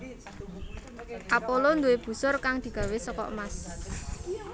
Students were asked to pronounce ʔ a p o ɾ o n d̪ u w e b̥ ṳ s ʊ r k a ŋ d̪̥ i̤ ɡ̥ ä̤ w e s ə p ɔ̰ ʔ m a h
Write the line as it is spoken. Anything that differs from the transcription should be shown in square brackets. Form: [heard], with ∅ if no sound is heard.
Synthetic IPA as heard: ʔ a p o [l] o n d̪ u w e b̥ ṳ s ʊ r k a ŋ d̪̥ i̤ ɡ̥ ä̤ w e s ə [k] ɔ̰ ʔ m a [s]